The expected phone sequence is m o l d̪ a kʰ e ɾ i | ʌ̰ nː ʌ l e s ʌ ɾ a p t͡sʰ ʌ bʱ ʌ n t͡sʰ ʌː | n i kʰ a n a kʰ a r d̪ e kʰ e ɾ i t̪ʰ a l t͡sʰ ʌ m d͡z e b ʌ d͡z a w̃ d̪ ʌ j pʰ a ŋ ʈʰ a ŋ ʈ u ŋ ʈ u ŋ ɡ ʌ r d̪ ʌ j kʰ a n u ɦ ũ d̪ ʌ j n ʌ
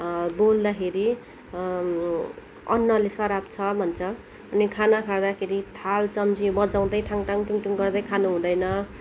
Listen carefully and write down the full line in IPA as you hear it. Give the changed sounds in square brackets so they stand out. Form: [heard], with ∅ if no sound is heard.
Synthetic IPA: [b] o l d̪ a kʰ e ɾ i | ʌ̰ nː ʌ l e s ʌ ɾ a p t͡sʰ ʌ bʱ ʌ n t͡sʰ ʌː | n i kʰ a n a kʰ a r d̪ [a] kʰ e ɾ i t̪ʰ a l [t͡s] ʌ m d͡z [i] b ʌ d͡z a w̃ d̪ ʌ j [ʈʰ] a ŋ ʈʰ a ŋ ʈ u ŋ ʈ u ŋ ɡ ʌ r d̪ ʌ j kʰ a n u ɦ ũ d̪ ʌ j n ʌ